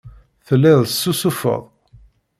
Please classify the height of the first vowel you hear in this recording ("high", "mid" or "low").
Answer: mid